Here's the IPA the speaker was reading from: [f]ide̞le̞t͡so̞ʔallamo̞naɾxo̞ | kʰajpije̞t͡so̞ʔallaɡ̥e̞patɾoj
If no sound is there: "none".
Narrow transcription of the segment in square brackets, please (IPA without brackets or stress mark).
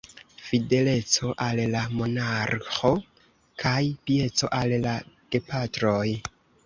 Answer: f